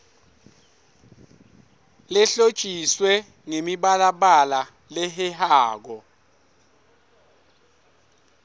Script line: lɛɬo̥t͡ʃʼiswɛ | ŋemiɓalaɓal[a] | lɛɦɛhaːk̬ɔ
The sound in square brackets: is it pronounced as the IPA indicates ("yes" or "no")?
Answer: yes